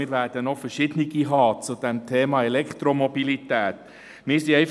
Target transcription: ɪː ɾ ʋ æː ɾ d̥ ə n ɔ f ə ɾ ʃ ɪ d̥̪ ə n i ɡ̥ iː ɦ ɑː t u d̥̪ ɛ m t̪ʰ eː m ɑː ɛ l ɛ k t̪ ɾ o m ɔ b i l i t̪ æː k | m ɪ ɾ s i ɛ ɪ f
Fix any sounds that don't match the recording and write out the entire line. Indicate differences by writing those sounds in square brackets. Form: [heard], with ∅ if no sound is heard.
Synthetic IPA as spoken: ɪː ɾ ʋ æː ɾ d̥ ə n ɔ f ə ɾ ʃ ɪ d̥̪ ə n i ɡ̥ [i] ɦ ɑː [t͡s] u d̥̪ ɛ m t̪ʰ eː m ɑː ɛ l ɛ k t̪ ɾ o m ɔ b i l i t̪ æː [t] | m ɪ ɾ s i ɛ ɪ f